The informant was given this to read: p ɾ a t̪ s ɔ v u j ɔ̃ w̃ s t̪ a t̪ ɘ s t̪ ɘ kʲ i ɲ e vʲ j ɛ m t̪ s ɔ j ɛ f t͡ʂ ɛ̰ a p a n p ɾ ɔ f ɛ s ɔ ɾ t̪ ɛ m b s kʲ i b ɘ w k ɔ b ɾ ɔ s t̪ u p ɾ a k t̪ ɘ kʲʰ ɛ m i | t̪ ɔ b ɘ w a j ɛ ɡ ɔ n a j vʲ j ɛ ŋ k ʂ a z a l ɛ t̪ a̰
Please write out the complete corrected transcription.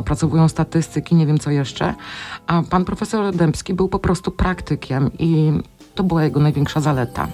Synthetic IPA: p ɾ a t̪ s ɔ v u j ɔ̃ w̃ s t̪ a t̪ ɘ s t̪ ɘ kʲ i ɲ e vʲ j ɛ m t̪ s ɔ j ɛ ʂ t͡ʂ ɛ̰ a p a n p ɾ ɔ f ɛ s ɔ ɾ d̪ ɛ m p s kʲ i b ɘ w p ɔ p ɾ ɔ s t̪ u p ɾ a k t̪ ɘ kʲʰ ɛ m i | t̪ ɔ b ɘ w a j ɛ ɡ ɔ n a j vʲ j ɛ ŋ k ʂ a z a l ɛ t̪ a̰